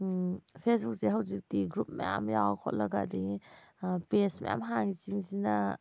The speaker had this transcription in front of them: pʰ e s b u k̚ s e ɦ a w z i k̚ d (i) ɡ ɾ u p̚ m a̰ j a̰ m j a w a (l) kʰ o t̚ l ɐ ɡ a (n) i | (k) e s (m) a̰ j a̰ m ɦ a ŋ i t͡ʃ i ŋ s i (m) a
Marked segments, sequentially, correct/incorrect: correct, incorrect, incorrect, incorrect, correct, incorrect

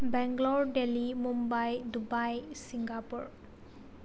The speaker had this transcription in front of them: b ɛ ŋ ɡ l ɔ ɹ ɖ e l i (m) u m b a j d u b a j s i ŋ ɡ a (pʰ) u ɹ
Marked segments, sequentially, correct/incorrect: correct, incorrect

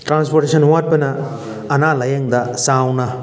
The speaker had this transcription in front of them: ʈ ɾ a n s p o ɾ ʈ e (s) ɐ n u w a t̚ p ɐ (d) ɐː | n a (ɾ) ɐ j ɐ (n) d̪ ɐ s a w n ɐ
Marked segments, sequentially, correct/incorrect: correct, incorrect, incorrect, incorrect

